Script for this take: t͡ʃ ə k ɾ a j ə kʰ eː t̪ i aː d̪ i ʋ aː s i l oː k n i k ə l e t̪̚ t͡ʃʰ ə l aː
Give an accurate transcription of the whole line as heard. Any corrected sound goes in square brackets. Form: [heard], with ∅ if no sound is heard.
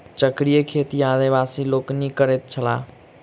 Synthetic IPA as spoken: t͡ʃ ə k ɾ [i] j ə kʰ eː t̪ i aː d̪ i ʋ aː s i l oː k n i k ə [ɾ] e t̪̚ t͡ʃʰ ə l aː